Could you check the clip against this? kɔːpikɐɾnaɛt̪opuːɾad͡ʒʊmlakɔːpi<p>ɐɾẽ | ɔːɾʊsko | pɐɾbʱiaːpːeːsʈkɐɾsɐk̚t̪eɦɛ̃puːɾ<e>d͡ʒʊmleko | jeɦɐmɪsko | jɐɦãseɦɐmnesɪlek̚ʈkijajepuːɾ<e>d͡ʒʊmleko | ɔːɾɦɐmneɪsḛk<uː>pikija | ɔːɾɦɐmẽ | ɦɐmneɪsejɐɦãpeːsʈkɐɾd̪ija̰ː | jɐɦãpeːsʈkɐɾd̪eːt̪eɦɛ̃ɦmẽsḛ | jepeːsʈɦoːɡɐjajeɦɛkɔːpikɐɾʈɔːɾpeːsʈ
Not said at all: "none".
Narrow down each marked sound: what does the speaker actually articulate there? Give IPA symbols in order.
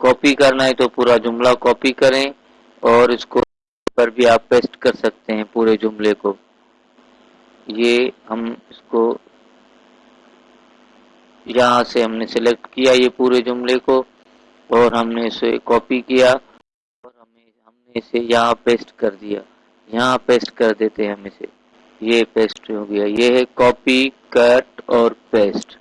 k, e, e, ɔː

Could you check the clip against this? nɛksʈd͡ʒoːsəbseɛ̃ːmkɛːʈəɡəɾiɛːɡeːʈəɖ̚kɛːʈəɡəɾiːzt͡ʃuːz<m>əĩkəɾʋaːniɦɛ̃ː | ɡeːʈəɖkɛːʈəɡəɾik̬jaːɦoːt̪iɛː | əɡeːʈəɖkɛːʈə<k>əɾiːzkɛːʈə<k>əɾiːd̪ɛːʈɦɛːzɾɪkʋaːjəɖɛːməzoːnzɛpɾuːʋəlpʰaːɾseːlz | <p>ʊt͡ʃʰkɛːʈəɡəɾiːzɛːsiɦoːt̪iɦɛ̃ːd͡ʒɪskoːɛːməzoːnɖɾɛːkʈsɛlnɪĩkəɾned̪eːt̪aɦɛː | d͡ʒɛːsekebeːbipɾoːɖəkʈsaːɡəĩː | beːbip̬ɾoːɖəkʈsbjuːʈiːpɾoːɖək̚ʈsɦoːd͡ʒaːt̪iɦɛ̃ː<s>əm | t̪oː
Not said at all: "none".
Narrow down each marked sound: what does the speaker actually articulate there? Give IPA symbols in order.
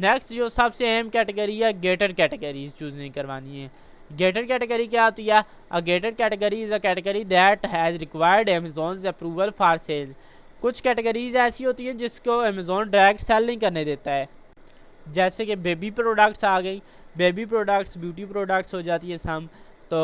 n, ɡ, ɡ, k, s

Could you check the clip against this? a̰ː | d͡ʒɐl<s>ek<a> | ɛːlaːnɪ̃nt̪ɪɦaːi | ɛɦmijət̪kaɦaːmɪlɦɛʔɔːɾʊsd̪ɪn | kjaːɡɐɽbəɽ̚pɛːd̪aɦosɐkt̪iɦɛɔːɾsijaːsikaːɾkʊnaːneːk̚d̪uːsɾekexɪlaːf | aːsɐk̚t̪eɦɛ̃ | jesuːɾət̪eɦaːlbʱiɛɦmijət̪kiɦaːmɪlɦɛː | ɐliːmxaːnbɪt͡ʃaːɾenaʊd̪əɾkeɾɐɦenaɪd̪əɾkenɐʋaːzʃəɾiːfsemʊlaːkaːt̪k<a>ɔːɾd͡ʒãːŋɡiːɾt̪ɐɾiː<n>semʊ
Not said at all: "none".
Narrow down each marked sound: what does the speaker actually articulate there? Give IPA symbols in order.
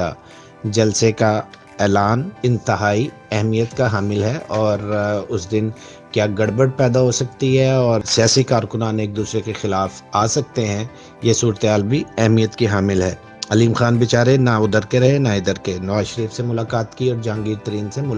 s, a, i, n

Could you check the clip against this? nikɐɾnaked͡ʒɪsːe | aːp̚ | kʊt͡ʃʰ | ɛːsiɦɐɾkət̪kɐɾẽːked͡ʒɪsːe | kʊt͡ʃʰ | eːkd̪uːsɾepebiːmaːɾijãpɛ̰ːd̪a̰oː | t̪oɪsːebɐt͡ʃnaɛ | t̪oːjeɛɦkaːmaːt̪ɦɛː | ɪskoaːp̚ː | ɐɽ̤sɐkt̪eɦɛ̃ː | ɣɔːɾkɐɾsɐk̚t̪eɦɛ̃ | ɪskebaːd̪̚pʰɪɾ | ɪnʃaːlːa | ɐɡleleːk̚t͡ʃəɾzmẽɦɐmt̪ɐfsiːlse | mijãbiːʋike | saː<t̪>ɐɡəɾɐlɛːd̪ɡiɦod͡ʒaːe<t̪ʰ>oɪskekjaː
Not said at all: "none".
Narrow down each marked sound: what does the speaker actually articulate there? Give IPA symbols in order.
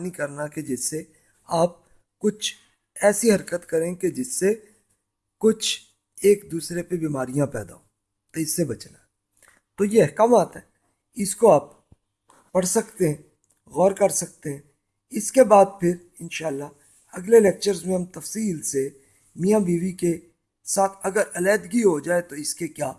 t̪ʰ, t̪

